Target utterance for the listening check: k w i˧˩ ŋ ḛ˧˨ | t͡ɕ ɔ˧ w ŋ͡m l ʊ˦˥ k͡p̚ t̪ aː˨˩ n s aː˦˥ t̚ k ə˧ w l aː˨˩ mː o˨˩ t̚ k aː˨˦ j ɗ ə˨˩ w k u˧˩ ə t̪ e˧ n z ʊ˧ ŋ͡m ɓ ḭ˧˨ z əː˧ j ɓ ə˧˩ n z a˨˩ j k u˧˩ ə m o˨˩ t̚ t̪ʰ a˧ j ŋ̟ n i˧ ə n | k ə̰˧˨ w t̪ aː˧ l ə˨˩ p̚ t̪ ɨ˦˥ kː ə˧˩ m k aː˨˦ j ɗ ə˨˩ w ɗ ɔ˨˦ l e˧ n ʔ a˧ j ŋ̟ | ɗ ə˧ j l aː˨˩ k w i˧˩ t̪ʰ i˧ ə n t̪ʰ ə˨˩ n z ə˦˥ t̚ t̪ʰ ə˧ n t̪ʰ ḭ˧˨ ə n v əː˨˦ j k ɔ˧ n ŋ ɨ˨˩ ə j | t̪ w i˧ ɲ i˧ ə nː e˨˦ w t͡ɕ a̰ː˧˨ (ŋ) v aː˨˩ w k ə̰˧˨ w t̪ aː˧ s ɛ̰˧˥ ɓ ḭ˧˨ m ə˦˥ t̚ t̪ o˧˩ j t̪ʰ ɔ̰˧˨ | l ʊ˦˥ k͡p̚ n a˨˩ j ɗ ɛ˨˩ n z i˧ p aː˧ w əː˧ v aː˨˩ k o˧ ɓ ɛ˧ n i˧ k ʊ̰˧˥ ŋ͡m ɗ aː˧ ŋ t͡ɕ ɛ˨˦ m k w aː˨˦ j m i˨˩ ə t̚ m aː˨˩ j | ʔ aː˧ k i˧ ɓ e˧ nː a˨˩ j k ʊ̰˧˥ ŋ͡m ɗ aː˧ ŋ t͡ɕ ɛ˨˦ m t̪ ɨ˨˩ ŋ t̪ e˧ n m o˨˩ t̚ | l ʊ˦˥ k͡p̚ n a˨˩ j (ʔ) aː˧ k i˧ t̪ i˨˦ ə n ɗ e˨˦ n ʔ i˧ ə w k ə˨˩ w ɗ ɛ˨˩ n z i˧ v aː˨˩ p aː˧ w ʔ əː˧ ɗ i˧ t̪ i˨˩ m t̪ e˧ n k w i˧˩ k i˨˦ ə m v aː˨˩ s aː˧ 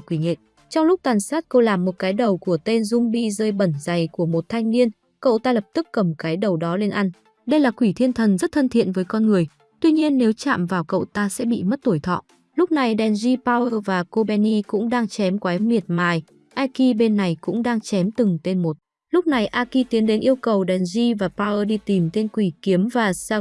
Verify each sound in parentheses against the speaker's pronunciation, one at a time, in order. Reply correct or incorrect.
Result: incorrect: m, correct

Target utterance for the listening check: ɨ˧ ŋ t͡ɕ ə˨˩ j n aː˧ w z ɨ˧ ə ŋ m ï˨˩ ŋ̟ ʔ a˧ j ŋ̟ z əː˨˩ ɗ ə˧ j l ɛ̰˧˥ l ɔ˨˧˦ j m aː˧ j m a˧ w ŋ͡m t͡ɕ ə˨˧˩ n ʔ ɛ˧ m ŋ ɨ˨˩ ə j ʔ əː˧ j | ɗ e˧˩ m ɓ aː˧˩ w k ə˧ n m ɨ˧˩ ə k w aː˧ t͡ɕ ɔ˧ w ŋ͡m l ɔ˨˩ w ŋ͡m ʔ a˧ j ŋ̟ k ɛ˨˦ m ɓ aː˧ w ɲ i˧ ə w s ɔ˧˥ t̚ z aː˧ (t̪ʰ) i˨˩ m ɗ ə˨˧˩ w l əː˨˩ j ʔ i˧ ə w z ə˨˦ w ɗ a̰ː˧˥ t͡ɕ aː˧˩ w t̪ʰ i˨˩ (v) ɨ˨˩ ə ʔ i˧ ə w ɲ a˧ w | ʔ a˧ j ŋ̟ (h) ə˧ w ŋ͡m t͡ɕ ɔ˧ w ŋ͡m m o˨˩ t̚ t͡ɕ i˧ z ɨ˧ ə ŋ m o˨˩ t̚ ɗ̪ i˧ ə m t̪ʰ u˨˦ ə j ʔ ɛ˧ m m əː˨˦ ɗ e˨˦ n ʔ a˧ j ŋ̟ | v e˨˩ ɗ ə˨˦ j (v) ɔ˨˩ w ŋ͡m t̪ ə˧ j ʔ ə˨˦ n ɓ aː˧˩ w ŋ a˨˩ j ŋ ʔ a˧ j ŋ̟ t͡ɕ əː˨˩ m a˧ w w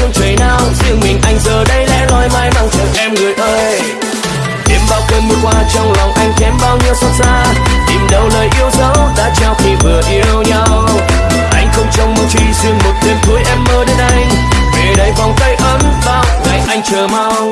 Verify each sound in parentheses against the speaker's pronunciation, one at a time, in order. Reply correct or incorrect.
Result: incorrect: t̪, correct, incorrect: x, correct

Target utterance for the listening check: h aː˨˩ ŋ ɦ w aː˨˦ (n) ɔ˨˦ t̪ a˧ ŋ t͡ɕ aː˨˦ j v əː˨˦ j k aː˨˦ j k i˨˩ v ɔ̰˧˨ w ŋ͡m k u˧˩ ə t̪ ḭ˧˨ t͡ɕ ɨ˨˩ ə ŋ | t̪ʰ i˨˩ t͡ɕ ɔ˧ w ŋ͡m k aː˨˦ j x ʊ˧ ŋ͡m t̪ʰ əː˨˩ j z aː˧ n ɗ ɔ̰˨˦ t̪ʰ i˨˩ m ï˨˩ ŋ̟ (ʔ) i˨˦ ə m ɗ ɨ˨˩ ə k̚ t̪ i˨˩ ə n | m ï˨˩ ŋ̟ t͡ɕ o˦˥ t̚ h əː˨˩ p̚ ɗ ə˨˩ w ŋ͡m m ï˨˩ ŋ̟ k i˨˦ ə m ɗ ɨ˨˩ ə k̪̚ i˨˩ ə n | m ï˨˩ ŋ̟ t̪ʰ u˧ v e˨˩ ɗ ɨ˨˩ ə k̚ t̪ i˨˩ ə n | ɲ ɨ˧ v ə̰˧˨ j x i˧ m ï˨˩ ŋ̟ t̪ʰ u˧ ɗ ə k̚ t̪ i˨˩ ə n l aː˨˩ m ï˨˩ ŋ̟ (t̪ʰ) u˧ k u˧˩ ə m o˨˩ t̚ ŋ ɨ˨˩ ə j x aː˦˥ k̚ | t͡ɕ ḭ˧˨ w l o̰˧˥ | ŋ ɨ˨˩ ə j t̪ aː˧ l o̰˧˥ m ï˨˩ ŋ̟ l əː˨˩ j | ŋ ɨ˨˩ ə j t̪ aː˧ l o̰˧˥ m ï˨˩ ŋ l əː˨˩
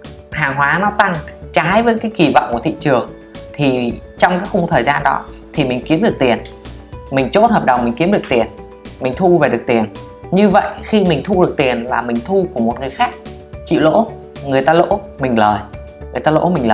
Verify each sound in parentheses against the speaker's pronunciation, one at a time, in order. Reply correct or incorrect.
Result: correct, incorrect: k, correct

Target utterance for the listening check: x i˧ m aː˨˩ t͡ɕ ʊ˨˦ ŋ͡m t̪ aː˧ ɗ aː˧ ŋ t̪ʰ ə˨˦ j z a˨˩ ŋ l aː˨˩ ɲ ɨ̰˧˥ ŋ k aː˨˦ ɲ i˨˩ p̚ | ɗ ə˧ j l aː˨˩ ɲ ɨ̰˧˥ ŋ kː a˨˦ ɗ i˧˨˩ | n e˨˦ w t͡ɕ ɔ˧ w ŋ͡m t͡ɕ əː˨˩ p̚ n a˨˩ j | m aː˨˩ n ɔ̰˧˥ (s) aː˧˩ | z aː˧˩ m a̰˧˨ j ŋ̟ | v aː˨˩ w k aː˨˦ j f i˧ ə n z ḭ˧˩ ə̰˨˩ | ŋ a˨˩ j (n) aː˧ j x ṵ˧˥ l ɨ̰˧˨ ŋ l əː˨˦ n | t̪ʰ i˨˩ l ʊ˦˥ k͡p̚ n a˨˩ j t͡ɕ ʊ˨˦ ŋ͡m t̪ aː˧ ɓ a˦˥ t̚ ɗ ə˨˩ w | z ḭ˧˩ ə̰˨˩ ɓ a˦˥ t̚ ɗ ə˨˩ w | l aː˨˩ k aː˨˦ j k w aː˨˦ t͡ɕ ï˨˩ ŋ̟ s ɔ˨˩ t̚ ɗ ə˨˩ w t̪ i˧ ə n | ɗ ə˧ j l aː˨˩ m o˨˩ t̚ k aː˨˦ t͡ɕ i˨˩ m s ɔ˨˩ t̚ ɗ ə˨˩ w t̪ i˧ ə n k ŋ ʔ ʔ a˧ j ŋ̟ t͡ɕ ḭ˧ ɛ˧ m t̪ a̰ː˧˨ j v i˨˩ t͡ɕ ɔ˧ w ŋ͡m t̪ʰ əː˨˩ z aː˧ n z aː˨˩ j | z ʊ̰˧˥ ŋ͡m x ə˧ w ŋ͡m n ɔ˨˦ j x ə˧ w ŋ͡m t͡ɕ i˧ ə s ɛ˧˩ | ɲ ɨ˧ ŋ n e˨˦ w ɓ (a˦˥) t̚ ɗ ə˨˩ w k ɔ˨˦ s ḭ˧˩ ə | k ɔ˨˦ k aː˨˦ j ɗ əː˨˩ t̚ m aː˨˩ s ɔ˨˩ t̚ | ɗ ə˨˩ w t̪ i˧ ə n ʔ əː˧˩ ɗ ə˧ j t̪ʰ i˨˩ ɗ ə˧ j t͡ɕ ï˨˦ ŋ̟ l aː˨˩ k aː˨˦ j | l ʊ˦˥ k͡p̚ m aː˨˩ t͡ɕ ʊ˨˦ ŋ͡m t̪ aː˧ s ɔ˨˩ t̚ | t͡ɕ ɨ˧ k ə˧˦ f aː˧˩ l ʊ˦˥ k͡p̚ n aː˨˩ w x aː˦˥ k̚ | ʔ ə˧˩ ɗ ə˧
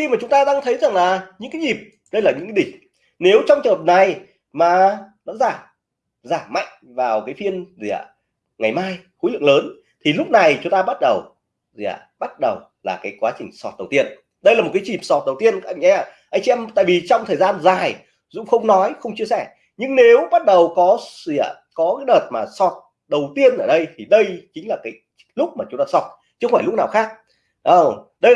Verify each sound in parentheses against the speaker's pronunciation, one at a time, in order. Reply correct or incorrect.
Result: incorrect: z, incorrect: m, correct

